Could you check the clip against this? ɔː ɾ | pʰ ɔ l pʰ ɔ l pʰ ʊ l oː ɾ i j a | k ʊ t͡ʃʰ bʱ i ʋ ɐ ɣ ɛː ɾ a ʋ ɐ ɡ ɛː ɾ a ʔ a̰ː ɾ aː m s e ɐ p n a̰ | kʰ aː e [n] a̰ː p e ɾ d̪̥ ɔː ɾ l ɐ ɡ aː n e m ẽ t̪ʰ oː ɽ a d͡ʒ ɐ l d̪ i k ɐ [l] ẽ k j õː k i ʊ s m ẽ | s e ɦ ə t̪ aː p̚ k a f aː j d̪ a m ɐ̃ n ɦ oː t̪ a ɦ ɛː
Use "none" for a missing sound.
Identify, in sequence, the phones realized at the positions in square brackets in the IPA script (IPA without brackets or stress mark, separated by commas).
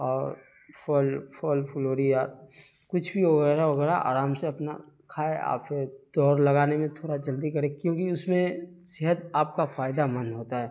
none, ɾ